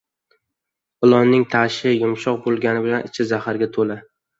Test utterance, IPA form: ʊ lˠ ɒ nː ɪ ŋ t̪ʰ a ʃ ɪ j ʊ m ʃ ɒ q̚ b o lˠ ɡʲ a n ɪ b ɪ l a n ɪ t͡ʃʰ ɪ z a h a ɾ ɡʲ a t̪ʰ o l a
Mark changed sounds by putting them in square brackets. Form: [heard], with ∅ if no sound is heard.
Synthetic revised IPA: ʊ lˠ ɒ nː ɪ ŋ t̪ʰ a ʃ ɪ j ʊ m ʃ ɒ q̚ b o lˠ ɡʲ a n ɪ b ɪ l a n ɪ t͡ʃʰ ɪ z a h a ɾ ɡʲ a t̪ʰ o l a

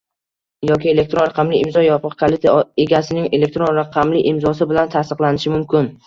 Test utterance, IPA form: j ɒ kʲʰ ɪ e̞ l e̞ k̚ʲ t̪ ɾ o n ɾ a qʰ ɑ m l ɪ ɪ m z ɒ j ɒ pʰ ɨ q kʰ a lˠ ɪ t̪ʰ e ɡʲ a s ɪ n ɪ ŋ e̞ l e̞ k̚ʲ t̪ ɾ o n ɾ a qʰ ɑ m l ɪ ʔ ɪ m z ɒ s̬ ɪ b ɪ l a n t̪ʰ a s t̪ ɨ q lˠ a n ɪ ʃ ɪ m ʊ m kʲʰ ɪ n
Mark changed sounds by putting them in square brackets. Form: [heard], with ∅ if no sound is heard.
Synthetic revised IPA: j ɒ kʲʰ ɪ e̞ l e̞ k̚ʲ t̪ ɾ o n ɾ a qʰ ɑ m l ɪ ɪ m z ɒ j ɒ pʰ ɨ q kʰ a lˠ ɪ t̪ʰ e ɡʲ a s ɪ n ɪ ŋ e̞ l e̞ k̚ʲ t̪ ɾ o n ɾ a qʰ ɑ m l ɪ ʔ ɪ m z ɒ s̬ ɪ b ɪ l a n t̪ʰ a s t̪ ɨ q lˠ a n ɪ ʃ ɪ m ʊ m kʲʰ ɪ n

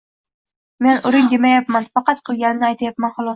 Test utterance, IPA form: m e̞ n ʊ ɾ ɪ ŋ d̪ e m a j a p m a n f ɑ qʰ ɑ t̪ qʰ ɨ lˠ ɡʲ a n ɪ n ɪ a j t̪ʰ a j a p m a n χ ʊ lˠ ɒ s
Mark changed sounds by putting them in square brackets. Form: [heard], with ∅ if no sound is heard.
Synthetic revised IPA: m e̞ n ʊ ɾ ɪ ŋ d̪ e m a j a p m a n f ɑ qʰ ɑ t̪ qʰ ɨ lˠ ɡʲ a n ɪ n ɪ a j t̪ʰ a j a p m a n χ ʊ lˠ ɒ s

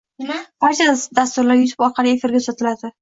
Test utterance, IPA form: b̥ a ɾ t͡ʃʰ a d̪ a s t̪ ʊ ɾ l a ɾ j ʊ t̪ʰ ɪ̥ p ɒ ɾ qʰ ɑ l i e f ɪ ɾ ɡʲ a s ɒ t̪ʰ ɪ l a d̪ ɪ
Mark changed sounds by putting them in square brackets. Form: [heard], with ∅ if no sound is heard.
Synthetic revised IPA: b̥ a ɾ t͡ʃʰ a d̪ a s t̪ ʊ ɾ l a ɾ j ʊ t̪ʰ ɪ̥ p ɒ ɾ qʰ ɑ l i e f ɪ ɾ ɡʲ a s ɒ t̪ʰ ɪ l a d̪ ɪ

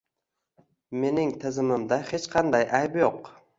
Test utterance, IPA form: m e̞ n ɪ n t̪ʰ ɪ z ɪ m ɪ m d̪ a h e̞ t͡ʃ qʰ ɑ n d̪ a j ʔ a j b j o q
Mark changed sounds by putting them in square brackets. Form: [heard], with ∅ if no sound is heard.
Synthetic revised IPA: m e̞ n ɪ [ŋ] t̪ʰ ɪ z ɪ m ɪ m d̪ a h e̞ t͡ʃ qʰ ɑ n d̪ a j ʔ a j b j o q

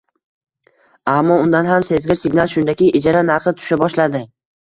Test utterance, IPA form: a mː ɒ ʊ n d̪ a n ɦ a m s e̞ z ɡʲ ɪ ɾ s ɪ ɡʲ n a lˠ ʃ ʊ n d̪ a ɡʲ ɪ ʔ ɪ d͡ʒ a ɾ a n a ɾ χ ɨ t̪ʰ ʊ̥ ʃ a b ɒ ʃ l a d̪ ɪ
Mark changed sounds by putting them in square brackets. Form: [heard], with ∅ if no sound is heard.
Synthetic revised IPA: a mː ɒ ʊ n d̪ a n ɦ a m s e̞ z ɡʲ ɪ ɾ s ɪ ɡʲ n a lˠ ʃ ʊ n d̪ a [kʲ] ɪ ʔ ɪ d͡ʒ a ɾ a n a ɾ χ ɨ t̪ʰ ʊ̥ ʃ a b ɒ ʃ l a d̪ ɪ

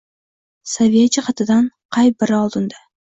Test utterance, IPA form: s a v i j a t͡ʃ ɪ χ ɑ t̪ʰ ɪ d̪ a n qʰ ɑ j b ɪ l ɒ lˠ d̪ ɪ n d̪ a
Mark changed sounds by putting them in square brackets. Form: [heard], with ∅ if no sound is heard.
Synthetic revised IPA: s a v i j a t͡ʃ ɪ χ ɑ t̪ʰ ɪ d̪ a n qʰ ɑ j b ɪ [ɾ] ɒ lˠ d̪ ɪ n d̪ a

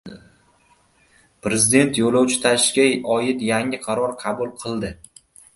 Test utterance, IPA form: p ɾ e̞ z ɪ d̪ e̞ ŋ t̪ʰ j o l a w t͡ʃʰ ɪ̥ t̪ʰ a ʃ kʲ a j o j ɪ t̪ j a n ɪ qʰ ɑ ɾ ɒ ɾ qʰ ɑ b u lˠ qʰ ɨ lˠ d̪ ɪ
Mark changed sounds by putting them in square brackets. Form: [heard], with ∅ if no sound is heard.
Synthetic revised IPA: p ɾ e̞ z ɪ d̪ e̞ [n] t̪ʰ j o l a w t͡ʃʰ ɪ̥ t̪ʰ a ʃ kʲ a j [ɒ] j ɪ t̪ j a [ŋ] ɪ qʰ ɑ ɾ ɒ ɾ qʰ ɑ b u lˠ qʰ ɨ lˠ d̪ ɪ

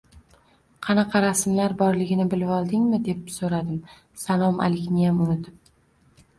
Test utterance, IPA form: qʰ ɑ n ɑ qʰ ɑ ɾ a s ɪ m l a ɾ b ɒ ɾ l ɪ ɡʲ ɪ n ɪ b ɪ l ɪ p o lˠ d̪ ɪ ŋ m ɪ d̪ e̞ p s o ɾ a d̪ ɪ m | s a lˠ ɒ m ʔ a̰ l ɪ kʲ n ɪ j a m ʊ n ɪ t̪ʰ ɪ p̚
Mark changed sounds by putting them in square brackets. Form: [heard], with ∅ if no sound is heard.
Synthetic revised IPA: qʰ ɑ n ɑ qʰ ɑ ɾ a s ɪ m l a ɾ b ɒ ɾ l ɪ ɡʲ ɪ n ɪ b ɪ l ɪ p [ɒ] lˠ d̪ ɪ ŋ m ɪ d̪ e̞ p s o ɾ a d̪ ɪ m | s a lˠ ɒ m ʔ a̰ l ɪ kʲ n ɪ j a m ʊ n ɪ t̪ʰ ɪ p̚

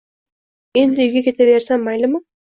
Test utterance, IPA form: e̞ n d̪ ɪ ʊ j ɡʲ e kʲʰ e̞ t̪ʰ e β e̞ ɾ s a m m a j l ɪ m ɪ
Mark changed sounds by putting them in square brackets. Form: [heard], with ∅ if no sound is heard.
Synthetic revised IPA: e̞ n d̪ ɪ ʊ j ɡʲ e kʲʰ e̞ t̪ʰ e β e̞ ɾ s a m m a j l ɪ m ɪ

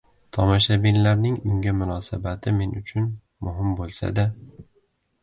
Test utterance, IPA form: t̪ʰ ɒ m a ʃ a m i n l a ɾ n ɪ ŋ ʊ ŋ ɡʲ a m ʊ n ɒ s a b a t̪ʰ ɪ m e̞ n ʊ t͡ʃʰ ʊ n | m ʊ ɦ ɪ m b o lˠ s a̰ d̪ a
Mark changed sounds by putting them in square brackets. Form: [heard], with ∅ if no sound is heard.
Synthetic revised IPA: t̪ʰ ɒ m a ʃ a [b] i n l a ɾ n ɪ ŋ ʊ ŋ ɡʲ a m ʊ n ɒ s a b a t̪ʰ ɪ m e̞ n ʊ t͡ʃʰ ʊ n | m ʊ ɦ ɪ m b o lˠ s a̰ d̪ a

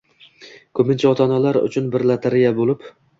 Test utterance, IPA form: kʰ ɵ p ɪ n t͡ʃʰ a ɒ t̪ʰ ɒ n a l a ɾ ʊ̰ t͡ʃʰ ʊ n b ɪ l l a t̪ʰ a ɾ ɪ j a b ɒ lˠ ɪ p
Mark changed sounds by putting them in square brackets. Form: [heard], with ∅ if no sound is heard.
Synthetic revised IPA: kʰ ɵ p ɪ n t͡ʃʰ a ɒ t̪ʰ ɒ n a l a ɾ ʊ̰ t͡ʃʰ ʊ n b ɪ [ɾ] l a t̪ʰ a ɾ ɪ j a b [o] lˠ ɪ p

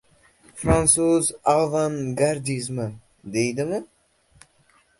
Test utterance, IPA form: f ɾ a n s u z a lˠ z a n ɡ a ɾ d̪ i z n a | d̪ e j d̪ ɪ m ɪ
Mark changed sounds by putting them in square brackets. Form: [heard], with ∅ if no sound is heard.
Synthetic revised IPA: f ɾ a n s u z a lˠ [v] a n ɡ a ɾ d̪ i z [m] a | d̪ e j d̪ ɪ m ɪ

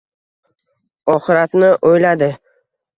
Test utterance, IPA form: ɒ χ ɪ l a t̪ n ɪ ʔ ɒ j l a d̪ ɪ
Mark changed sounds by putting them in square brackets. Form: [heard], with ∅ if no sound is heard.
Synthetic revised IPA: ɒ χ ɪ [ɾ] a t̪ n ɪ ʔ [o] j l a d̪ ɪ

